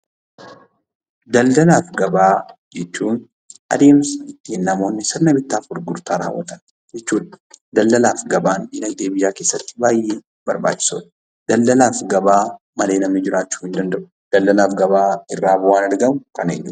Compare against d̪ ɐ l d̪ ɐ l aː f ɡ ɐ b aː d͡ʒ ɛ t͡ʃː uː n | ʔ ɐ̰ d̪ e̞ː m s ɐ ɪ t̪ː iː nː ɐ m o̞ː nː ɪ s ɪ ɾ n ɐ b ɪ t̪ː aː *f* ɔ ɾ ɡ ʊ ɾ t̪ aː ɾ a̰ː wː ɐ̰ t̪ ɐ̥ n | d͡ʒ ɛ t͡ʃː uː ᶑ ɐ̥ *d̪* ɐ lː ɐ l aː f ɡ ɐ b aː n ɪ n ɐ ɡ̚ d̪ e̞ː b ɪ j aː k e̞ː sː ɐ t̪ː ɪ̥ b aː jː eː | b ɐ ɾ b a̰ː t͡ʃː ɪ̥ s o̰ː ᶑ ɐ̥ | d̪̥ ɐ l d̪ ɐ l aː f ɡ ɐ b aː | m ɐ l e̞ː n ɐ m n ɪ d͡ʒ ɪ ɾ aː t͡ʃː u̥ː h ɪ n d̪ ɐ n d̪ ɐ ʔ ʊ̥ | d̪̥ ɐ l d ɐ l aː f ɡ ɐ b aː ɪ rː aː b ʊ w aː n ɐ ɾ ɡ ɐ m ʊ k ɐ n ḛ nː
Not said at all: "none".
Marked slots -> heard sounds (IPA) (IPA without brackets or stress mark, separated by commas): f, d̪